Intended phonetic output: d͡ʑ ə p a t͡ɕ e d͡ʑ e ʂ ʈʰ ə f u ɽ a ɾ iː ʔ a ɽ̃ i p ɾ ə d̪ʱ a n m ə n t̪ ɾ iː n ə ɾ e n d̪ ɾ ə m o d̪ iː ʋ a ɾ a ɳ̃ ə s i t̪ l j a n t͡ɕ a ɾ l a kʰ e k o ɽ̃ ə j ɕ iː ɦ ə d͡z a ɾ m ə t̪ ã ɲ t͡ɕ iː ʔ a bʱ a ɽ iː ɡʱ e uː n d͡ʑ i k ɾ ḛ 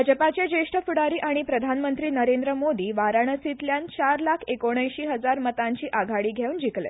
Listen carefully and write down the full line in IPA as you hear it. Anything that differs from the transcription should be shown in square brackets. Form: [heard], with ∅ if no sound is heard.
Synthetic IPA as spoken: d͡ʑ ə p a t͡ɕ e d͡ʑ e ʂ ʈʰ ə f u ɽ a ɾ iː ʔ a ɽ̃ i p ɾ ə d̪ʱ a n m ə n t̪ ɾ iː n ə ɾ e n d̪ ɾ ə m o d̪ iː ʋ a ɾ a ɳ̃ ə s i t̪ l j a n t͡ɕ a ɾ l a kʰ e k o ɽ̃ ə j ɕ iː ɦ ə d͡z a ɾ m ə t̪ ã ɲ t͡ɕ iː ʔ a [ɡʱ] a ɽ iː ɡʱ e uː n d͡ʑ i k [l] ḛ